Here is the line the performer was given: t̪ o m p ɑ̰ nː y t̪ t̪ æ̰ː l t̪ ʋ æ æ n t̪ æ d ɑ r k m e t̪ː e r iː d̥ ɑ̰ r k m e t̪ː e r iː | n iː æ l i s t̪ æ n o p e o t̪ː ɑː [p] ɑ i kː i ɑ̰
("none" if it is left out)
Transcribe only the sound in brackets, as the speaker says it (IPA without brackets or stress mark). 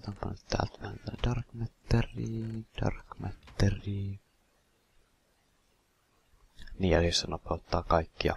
k